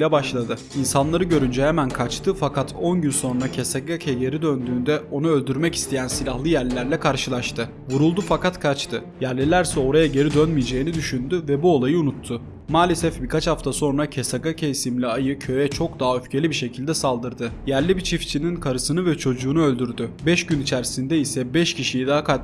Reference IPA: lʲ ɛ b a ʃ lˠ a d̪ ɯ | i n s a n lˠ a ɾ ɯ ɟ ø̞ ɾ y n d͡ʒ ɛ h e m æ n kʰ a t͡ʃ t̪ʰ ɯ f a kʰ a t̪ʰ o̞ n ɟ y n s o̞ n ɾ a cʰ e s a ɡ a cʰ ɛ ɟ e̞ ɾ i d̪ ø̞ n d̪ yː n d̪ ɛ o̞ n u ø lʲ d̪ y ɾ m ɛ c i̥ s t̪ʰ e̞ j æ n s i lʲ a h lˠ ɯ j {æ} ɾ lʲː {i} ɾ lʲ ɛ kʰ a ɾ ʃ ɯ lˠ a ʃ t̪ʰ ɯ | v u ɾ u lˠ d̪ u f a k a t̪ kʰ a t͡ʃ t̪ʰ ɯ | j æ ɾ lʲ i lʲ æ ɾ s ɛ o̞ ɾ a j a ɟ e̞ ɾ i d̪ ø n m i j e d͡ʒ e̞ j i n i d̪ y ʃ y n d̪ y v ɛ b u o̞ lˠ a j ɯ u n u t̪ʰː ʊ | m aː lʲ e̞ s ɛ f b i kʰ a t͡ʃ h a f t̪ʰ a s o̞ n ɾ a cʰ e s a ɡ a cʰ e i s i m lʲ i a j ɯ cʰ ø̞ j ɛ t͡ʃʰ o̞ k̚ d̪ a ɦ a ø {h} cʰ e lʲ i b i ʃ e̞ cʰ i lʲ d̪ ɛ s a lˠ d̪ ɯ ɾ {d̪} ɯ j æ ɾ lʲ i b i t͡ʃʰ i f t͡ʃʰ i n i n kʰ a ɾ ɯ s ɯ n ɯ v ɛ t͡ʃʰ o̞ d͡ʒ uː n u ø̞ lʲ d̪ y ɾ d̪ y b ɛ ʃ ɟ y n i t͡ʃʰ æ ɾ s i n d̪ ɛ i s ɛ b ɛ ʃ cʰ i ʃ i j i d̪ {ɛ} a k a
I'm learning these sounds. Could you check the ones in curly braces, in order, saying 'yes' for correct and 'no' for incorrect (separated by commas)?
yes, no, no, yes, no